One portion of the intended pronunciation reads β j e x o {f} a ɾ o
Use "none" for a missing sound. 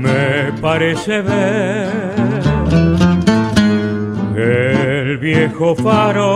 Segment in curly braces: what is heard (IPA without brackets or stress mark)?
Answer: f